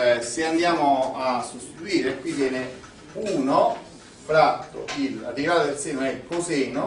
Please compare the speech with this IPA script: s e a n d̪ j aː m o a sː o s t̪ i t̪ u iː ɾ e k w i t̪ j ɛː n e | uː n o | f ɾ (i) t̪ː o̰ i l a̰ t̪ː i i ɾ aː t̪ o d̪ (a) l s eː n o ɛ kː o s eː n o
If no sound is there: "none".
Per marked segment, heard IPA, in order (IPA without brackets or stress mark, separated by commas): a, e